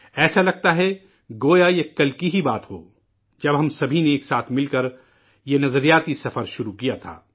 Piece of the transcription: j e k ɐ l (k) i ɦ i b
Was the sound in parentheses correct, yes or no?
yes